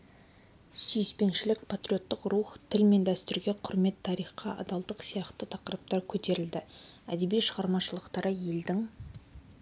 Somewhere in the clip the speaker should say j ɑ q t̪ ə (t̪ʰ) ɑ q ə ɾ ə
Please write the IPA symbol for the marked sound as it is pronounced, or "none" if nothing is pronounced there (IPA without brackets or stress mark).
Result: t̪ʰ